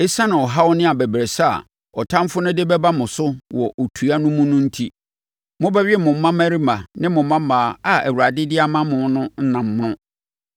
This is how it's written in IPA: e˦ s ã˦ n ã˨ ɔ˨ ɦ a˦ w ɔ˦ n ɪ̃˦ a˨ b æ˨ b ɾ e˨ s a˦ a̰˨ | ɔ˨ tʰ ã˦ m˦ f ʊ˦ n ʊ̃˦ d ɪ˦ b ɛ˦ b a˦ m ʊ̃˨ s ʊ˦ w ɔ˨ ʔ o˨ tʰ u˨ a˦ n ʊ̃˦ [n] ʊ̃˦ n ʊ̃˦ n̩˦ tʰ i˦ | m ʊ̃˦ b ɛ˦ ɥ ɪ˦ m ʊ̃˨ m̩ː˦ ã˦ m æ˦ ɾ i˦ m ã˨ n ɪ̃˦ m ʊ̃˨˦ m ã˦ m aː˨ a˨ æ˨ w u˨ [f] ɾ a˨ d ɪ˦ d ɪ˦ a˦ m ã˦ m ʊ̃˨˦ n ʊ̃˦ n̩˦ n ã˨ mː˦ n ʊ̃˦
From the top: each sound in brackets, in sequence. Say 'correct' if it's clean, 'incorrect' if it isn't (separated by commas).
incorrect, incorrect